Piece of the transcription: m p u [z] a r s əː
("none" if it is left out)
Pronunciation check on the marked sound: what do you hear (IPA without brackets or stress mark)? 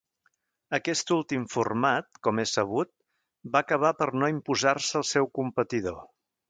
z